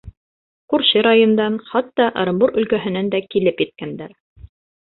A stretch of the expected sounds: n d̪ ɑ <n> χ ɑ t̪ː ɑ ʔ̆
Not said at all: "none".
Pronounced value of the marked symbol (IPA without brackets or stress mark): n